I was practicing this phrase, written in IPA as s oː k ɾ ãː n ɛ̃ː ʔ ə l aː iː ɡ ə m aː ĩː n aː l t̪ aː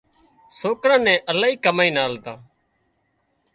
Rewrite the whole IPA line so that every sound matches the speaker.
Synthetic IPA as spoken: s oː k ɾ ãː n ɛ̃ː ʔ ə l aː iː k ə m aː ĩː n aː l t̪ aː